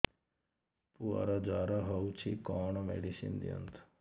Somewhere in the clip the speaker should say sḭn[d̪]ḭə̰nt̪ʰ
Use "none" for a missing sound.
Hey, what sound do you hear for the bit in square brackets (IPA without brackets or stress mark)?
d̪